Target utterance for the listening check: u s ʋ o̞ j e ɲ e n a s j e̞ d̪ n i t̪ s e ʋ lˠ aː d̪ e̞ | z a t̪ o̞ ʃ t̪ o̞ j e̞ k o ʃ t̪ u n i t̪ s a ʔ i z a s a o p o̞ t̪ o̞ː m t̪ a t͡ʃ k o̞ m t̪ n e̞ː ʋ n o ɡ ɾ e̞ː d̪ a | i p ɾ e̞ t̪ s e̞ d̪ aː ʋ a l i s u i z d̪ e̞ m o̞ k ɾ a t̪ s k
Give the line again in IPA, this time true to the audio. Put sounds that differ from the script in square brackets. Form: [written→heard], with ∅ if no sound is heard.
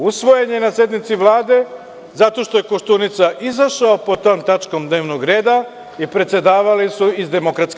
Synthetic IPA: u s ʋ o̞ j e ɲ e n a s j e̞ d̪ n i t̪ s [e→i] ʋ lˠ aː d̪ e̞ | z a t̪ o̞ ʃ t̪ o̞ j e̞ k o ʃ t̪ u n i t̪ s a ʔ i z a [s→ʃ] a o p o̞ t̪ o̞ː m t̪ a t͡ʃ k o̞ m [t̪→d̪] n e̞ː ʋ n o ɡ ɾ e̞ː d̪ a | i p ɾ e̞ t̪ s e̞ d̪ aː ʋ a l i s u i z d̪ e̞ m o̞ k ɾ a t̪ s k

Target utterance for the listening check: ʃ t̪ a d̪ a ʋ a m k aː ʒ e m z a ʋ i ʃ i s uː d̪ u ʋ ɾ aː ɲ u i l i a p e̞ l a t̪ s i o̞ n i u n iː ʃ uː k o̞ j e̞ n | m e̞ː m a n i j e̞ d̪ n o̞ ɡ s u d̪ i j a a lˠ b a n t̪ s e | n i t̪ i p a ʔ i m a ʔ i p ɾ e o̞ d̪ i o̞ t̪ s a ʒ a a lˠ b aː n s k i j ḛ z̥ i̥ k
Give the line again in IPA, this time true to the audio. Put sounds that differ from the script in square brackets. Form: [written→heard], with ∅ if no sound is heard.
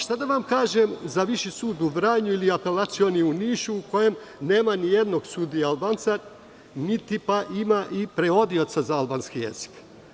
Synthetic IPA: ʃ t̪ a d̪ a ʋ a m k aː ʒ e m z a ʋ i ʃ i s uː d̪ u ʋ ɾ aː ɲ u i l i a p e̞ l a t̪ s i o̞ n i u n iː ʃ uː k o̞ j e̞ [n→m] | [m→n] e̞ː m a n i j e̞ d̪ n o̞ ɡ s u d̪ i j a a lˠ b a n t̪ s [e→a] | n i t̪ i p a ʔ i m a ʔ i p ɾ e o̞ d̪ i o̞ t̪ s a [ʒ→z] a a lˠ b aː n s k i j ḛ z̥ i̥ k

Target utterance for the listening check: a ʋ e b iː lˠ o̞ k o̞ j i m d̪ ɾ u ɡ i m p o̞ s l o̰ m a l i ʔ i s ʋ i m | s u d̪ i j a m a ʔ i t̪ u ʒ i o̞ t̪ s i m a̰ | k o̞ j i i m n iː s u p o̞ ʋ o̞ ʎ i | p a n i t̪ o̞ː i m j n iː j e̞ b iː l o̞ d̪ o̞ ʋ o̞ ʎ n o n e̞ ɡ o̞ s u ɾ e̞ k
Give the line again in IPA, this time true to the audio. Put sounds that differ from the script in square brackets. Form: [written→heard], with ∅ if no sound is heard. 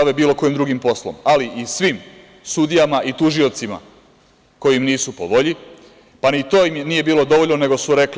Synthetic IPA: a ʋ e b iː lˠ o̞ k o̞ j i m d̪ ɾ u ɡ i m p o̞ s l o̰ m a l i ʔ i s ʋ i m | s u d̪ i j a m a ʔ i t̪ u ʒ i o̞ t̪ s i m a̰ | k o̞ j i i m n iː s u p o̞ ʋ o̞ ʎ i | p a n i t̪ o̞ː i m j n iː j e̞ b iː l o̞ d̪ o̞ ʋ o̞ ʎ n o n e̞ ɡ o̞ s u ɾ e̞ k

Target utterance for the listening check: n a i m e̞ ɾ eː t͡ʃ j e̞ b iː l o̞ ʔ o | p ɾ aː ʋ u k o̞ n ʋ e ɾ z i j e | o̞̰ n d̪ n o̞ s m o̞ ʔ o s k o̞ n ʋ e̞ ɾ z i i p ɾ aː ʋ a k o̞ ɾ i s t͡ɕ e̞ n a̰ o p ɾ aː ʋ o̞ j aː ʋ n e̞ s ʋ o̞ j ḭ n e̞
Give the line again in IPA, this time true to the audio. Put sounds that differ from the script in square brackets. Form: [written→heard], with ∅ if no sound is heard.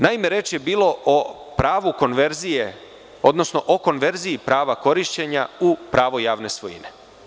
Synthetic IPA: n a i m e̞ ɾ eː t͡ʃ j e̞ b iː l o̞ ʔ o | p ɾ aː ʋ u k o̞ n ʋ e ɾ z i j e | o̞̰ [n→∅] d̪ n o̞ s [m→n] o̞ ʔ o [s→∅] k o̞ n ʋ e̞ ɾ z i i p ɾ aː ʋ a k o̞ ɾ i [s→ʃ] t͡ɕ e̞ [n→ɲ] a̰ [o→u] p ɾ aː ʋ o̞ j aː ʋ n e̞ s ʋ o̞ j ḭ n e̞

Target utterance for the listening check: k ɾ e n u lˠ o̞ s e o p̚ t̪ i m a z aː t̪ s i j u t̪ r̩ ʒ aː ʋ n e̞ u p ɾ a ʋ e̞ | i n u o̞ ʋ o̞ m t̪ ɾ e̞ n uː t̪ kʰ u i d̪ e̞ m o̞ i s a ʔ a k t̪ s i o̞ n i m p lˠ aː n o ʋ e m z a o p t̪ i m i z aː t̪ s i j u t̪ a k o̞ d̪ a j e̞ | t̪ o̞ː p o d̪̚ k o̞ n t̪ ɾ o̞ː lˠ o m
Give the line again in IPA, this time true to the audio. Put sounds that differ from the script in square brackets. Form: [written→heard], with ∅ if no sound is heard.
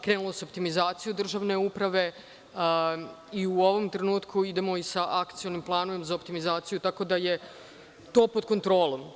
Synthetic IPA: k ɾ e n u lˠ o̞ s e o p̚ t̪ i m [a→i] z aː t̪ s i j u [t̪→d̪] r̩ ʒ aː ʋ n e̞ u p ɾ a ʋ e̞ | i [n→∅] u o̞ ʋ o̞ m t̪ ɾ e̞ n uː t̪ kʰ u i d̪ e̞ m o̞ i s a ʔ a k t̪ s i o̞ n i m p lˠ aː n o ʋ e m z a o p t̪ i m i z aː t̪ s i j u t̪ a k o̞ d̪ a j e̞ | t̪ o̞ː p o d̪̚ k o̞ n t̪ ɾ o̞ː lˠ o m

